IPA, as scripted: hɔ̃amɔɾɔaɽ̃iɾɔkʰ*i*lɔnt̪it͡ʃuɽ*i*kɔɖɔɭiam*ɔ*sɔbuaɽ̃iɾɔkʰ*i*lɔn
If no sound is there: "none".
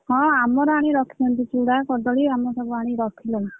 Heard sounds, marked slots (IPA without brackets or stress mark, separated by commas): i, a, ɔ, i